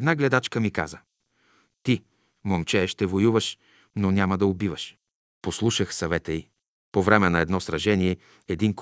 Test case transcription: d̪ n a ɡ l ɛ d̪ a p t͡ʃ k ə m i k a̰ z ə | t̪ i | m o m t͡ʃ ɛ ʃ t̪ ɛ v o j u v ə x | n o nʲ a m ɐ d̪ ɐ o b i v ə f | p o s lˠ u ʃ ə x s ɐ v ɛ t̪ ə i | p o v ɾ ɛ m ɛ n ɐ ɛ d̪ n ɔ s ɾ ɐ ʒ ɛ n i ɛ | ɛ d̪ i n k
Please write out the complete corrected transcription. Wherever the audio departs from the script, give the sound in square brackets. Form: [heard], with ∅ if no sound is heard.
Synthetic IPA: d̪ n a ɡ l ɛ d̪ a [∅] t͡ʃ k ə m i k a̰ z ə | t̪ i | m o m t͡ʃ ɛ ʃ t̪ ɛ v o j u v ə [ʃ] | n o nʲ a m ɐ d̪ ɐ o b i v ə [ʃ] | p o s lˠ u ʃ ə x s ɐ v ɛ t̪ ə i | p o v ɾ ɛ m ɛ n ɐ ɛ d̪ n ɔ s ɾ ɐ ʒ ɛ n i ɛ | ɛ d̪ i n k